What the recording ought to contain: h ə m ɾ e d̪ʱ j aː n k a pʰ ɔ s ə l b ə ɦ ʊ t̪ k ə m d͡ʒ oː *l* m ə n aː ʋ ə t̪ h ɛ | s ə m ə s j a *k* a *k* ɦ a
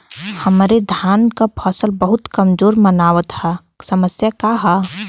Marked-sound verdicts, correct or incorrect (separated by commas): incorrect, correct, incorrect